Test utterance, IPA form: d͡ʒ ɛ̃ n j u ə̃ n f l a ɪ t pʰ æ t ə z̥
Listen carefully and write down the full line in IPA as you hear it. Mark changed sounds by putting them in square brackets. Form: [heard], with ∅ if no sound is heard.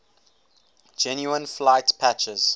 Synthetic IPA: d͡ʒ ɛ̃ n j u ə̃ n f l a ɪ t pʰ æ [t͡ʃ] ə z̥